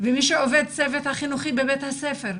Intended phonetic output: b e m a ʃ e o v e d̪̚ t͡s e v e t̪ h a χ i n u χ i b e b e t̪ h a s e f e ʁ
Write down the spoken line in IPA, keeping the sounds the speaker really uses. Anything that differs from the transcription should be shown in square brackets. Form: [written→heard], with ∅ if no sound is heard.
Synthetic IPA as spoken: [b→v] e m [a→i] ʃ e o v e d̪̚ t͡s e v e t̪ h a χ i n u χ i b e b e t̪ h a s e f e ʁ